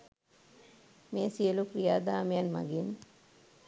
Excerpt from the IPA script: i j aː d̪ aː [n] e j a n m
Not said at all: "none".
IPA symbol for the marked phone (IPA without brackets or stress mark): m